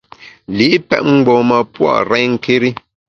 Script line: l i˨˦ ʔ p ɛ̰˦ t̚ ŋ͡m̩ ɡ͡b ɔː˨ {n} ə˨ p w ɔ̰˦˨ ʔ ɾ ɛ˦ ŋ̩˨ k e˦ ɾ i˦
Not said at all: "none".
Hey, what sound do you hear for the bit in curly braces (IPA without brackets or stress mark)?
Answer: m